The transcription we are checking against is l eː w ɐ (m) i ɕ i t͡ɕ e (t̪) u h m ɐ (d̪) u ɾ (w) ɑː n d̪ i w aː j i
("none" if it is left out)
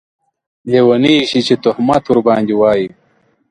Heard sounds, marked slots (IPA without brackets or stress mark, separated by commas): n, t̪, t̪, b